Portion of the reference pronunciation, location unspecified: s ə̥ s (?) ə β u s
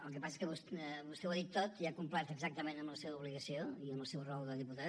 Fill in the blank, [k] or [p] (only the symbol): k